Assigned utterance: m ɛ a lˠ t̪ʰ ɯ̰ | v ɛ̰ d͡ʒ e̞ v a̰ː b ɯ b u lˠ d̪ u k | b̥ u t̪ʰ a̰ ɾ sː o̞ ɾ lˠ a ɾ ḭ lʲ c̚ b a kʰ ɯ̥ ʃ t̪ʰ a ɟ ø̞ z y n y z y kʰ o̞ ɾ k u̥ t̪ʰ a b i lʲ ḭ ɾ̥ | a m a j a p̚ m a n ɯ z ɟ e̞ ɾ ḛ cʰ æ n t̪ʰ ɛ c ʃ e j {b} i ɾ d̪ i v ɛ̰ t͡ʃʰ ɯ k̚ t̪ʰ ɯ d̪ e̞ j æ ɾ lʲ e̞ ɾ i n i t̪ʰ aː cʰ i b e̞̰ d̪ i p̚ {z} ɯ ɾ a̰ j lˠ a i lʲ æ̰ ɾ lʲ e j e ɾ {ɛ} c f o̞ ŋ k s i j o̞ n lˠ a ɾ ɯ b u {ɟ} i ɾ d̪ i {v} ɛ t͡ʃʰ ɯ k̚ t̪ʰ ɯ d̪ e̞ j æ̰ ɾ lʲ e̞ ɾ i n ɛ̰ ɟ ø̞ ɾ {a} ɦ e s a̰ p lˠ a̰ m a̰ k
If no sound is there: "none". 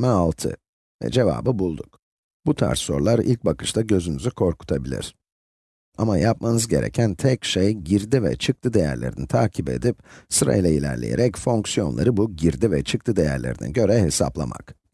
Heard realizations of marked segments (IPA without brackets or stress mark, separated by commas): ɟ, s, ɛ, ɟ, v, ɛ